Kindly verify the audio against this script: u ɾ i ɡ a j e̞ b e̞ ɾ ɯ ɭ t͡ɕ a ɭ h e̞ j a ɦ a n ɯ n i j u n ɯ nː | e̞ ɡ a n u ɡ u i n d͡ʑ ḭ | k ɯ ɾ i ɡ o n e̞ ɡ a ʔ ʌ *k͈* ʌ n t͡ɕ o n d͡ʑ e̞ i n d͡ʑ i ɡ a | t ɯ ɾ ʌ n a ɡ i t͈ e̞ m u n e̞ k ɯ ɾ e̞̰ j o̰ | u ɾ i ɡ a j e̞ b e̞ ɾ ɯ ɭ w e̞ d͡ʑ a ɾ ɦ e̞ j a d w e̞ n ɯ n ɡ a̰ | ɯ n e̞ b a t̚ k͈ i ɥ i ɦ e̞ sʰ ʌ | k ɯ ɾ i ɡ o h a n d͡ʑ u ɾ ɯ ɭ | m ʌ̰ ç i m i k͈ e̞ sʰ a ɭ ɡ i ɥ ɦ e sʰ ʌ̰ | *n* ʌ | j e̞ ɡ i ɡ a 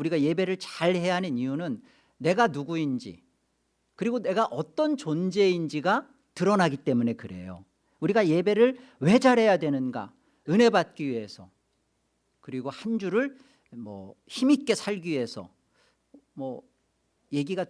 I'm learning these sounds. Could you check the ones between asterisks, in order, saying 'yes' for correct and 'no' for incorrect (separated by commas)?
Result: no, no